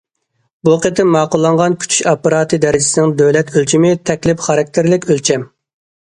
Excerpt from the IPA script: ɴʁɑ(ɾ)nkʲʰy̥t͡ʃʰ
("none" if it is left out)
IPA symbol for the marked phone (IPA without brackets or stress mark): none